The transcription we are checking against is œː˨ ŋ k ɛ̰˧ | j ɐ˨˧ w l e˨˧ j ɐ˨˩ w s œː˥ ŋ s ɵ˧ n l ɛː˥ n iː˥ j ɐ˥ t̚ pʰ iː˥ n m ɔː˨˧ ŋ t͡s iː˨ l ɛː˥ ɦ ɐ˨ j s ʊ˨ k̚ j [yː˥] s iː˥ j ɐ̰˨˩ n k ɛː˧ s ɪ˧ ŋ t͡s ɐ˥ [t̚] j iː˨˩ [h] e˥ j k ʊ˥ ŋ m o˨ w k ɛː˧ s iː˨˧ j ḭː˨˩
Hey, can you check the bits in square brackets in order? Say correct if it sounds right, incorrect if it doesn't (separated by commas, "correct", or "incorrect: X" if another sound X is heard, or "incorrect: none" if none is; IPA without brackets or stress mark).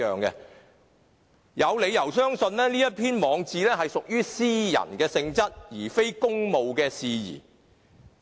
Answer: correct, correct, incorrect: f